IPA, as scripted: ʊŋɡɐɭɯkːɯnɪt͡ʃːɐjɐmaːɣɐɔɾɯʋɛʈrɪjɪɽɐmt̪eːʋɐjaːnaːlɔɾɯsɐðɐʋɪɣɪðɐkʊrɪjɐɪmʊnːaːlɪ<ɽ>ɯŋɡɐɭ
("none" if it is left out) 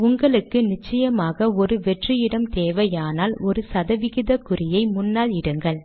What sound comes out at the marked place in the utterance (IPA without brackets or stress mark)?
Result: ɽ